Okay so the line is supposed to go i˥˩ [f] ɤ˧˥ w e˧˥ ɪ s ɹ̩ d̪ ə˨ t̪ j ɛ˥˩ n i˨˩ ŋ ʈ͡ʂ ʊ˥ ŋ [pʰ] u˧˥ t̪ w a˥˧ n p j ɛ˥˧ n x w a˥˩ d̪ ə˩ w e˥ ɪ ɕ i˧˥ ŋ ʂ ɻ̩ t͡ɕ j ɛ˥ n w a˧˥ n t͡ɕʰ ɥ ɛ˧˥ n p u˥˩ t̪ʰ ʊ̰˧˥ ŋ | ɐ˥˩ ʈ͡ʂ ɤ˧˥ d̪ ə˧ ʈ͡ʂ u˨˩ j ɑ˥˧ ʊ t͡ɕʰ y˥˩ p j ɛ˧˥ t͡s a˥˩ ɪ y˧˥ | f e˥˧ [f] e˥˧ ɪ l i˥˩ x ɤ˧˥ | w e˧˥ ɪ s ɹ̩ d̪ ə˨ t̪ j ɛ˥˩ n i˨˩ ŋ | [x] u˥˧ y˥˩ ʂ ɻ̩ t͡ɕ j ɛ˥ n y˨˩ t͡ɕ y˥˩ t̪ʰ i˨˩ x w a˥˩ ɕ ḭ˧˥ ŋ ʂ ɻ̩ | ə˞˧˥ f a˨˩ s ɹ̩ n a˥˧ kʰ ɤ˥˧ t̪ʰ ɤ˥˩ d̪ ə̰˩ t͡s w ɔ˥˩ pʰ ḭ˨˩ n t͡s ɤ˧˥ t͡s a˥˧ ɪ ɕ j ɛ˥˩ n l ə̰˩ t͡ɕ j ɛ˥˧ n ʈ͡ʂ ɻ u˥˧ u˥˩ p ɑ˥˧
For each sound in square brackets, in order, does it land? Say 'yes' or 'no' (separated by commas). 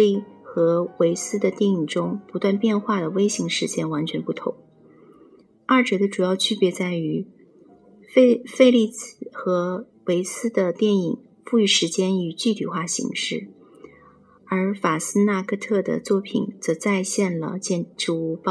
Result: no, no, yes, no